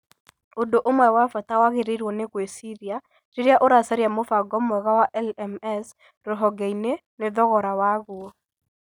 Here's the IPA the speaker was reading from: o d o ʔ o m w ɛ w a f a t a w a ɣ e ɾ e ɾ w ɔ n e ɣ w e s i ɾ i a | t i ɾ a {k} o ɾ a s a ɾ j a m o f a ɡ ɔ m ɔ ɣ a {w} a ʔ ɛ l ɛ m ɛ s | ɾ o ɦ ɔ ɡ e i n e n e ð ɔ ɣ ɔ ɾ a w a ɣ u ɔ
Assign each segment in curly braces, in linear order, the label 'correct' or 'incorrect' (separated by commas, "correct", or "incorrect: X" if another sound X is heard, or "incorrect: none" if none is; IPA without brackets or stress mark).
incorrect: ʔ, correct